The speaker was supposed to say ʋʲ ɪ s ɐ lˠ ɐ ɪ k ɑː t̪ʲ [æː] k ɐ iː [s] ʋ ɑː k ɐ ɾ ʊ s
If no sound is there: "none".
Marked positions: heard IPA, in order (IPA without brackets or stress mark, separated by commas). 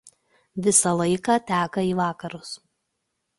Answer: æː, none